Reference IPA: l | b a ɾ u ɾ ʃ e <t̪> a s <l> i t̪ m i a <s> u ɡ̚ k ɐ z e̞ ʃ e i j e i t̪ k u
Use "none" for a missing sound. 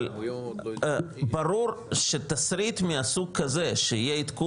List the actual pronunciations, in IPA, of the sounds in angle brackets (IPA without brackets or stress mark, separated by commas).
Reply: t̪, ɾ, s